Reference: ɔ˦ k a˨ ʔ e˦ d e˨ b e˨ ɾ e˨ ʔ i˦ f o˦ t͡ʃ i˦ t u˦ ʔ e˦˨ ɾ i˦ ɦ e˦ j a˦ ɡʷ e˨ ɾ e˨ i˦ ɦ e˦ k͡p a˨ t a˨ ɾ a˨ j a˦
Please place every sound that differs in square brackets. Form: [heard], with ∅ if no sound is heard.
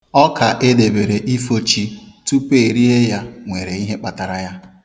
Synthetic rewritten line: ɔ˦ k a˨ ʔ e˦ d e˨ b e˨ ɾ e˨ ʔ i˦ f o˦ t͡ʃ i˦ t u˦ [p] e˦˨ ɾ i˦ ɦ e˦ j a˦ [ŋʷ] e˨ ɾ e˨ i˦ ɦ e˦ k͡p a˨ t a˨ ɾ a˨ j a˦